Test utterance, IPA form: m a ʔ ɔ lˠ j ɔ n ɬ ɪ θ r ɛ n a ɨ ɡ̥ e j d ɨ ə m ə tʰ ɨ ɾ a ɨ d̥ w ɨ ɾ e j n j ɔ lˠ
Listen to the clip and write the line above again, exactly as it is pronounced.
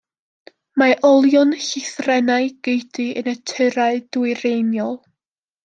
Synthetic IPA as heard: m a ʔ ɔ lˠ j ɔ n ɬ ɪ θ r ɛ n a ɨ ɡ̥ e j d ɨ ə n ə tʰ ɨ ɾ a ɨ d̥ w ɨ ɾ e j n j ɔ lˠ